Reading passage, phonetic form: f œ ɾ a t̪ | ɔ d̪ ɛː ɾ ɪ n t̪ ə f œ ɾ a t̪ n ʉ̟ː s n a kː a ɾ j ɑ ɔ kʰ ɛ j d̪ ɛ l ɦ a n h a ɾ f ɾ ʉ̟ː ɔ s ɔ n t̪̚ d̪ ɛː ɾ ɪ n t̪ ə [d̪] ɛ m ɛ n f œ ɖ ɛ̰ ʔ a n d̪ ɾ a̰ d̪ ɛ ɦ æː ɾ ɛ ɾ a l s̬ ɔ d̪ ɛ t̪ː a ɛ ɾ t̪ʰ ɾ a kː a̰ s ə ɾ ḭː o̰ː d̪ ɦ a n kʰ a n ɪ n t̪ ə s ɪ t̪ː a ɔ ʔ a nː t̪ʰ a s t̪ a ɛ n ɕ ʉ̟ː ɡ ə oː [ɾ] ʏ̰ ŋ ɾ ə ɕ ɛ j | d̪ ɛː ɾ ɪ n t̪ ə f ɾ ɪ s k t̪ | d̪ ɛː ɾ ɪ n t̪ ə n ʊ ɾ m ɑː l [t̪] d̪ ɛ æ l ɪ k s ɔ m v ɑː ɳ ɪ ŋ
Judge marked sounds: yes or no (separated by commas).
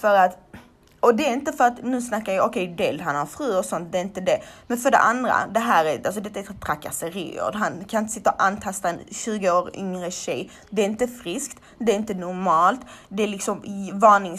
yes, yes, yes